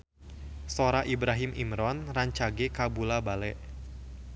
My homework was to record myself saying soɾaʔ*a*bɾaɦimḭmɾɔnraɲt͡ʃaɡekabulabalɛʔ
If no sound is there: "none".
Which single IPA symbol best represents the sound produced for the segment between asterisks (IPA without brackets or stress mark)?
i